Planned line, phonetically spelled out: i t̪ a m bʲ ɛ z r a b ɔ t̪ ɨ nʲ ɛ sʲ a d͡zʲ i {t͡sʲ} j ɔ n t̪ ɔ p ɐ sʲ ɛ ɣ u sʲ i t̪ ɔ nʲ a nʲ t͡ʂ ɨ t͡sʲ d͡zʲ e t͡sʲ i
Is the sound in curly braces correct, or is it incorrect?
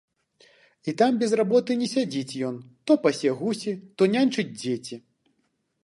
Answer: correct